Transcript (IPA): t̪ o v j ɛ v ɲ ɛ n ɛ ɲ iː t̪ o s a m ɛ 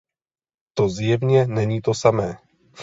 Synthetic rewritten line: t̪ o z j ɛ v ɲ ɛ n ɛ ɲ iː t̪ o s a m ɛː